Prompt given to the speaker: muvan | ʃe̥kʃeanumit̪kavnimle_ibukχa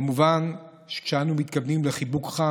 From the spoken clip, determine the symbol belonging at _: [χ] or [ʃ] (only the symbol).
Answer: χ